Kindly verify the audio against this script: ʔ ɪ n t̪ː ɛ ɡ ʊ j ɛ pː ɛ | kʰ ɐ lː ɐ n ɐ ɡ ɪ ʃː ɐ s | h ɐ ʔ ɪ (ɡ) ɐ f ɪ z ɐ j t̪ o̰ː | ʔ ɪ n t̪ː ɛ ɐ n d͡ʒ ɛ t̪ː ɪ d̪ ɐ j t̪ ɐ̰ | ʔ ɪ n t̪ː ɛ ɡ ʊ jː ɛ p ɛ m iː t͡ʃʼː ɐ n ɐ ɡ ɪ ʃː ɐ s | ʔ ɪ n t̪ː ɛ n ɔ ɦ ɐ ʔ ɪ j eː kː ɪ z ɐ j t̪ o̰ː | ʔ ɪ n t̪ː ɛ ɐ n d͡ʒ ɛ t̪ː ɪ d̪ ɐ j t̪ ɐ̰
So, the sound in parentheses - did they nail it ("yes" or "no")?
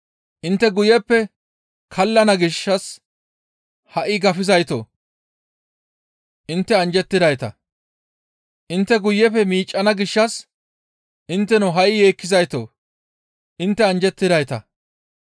yes